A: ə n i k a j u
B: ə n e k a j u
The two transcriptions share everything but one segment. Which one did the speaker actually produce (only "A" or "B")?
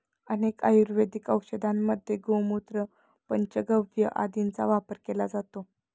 B